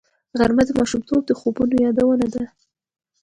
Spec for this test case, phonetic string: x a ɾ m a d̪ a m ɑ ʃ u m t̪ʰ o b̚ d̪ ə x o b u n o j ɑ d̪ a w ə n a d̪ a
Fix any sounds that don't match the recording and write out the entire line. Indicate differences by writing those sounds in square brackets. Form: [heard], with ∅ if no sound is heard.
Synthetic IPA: [ɣ] a ɾ m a d̪ [ə] m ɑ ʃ u m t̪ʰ o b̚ d̪ ə x o b u n o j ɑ d̪ a w ə n a d̪ a